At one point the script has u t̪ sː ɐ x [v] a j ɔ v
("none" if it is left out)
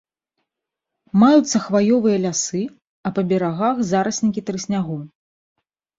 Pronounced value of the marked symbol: v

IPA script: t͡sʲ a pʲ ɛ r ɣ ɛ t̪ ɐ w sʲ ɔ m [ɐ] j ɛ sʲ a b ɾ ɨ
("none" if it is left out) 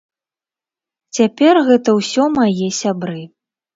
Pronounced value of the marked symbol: a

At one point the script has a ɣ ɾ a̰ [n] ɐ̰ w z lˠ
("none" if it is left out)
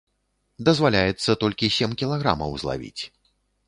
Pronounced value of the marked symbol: m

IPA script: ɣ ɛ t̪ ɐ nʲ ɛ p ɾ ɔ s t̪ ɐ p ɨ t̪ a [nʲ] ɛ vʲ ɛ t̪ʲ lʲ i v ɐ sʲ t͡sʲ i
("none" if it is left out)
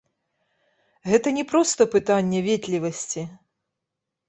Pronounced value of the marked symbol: nʲː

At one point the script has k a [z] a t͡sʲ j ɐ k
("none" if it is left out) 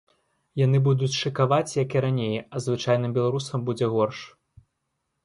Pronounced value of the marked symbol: v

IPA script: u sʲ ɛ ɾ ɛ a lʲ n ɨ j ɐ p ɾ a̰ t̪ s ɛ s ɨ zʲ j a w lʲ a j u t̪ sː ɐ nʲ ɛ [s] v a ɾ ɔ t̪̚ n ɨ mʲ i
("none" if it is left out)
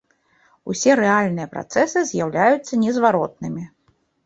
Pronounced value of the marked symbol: z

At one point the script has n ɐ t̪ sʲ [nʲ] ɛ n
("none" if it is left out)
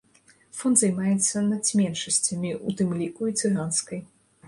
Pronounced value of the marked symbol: mʲ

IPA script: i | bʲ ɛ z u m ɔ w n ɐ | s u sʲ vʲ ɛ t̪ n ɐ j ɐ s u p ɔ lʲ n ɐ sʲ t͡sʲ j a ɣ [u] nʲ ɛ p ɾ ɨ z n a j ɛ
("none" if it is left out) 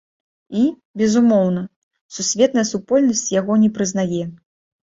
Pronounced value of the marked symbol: ɔ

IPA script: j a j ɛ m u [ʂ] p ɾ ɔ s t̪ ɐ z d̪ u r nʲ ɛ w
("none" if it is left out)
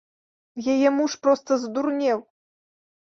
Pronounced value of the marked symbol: ʂ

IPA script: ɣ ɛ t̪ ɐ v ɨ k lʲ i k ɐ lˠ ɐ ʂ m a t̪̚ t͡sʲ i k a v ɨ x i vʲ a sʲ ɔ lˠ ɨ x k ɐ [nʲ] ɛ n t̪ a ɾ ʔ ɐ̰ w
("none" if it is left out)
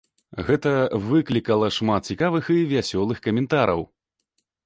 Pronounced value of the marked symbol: mʲ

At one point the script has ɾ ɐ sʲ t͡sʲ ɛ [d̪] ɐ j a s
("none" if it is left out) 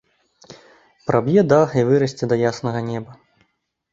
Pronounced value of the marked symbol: d̪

